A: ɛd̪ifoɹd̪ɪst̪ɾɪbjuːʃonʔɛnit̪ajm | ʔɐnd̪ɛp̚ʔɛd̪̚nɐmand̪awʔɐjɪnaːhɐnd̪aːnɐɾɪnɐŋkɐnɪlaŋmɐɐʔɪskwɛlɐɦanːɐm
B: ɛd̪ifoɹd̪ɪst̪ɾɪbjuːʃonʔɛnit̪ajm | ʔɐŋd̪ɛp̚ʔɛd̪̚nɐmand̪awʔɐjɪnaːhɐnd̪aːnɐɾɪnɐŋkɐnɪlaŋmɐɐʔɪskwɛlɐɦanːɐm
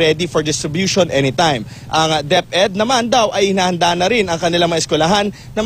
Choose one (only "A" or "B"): B